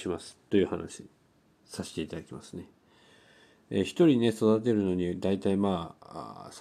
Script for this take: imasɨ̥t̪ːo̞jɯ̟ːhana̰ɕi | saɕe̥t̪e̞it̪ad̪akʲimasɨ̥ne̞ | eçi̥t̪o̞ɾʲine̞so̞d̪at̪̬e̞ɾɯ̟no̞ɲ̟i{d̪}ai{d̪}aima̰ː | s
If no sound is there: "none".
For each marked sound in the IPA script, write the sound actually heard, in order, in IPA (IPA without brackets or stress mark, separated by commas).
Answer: d̪, t̪